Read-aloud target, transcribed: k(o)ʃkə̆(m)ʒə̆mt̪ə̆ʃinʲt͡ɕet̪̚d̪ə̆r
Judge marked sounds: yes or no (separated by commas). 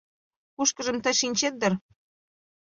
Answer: no, no